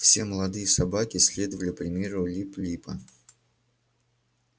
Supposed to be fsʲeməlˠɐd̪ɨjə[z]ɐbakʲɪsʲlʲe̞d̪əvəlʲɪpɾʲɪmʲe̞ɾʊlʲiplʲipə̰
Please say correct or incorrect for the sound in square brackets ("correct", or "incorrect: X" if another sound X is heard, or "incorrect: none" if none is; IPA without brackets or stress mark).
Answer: incorrect: s